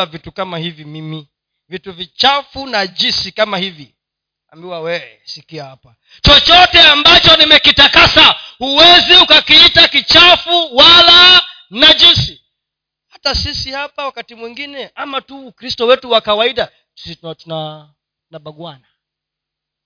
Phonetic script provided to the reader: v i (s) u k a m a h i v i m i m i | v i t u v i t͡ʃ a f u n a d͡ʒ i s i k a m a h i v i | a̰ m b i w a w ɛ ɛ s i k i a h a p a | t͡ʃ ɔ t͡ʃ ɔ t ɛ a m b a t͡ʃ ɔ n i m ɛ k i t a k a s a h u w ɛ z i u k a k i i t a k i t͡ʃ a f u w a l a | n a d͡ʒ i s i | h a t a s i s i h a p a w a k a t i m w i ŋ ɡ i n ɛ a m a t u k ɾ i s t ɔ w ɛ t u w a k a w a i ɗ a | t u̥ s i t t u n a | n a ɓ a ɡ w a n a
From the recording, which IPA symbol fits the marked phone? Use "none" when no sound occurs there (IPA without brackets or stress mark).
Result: t